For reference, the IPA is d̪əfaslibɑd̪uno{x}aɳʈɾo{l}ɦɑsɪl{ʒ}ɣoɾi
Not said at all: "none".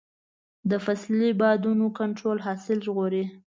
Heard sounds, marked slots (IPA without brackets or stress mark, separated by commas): k, l, ʒ